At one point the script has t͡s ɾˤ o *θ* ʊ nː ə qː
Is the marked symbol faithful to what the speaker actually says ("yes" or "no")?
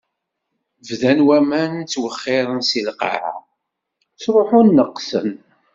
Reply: no